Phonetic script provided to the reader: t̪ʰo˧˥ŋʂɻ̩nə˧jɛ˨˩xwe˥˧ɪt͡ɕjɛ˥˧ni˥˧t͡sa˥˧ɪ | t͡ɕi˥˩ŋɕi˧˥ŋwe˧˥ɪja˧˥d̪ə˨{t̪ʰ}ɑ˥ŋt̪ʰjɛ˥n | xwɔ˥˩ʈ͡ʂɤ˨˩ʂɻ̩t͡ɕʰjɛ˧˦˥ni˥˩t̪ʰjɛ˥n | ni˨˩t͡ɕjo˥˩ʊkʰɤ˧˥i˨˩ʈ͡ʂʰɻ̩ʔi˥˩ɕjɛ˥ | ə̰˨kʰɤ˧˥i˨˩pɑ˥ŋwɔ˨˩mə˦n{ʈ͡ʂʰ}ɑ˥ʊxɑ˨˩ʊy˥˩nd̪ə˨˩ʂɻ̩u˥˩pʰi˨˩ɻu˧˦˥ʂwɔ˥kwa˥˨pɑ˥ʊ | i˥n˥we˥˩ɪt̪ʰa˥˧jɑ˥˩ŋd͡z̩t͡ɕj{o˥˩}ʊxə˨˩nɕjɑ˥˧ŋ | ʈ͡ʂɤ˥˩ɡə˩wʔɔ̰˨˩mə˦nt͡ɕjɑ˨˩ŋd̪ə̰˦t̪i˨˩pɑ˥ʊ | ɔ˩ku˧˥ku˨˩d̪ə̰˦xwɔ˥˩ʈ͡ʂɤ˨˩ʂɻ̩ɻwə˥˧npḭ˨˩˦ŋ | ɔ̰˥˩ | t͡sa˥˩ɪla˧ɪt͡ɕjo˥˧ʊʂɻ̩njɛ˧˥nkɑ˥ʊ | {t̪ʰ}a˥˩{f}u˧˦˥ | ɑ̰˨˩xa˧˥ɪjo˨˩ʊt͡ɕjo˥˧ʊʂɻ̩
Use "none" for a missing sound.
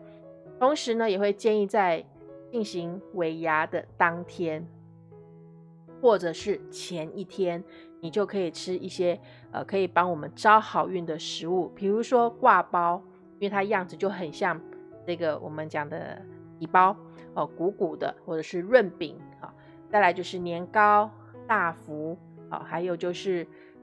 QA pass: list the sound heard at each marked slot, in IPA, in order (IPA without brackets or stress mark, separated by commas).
t̪, ʈ͡ʂ, o˥˩, t̪, f